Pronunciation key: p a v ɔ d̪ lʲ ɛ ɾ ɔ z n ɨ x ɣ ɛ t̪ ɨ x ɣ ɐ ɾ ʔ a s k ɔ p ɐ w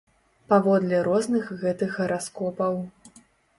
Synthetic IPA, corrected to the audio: p a v ɔ d̪ lʲ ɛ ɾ ɔ z n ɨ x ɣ ɛ t̪ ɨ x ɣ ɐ ɾ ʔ a s k ɔ p ɐ w